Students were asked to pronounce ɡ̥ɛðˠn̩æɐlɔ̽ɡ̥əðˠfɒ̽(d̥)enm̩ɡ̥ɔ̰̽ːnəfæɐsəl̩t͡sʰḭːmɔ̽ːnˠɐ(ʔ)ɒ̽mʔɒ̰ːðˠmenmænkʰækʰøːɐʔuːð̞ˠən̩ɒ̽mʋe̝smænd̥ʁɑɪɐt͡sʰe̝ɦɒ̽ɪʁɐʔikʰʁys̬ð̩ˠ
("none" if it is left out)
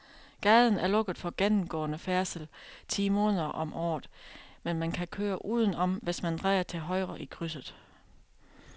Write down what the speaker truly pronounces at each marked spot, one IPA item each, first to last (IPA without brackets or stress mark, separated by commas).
ɡ̥, ʔ